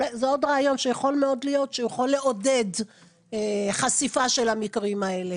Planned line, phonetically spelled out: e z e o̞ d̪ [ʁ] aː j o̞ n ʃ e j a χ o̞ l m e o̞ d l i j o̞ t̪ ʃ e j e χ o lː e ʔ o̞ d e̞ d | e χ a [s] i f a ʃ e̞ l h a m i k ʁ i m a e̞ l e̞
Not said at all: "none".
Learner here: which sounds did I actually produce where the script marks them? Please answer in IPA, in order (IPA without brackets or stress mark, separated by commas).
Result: ʁ, s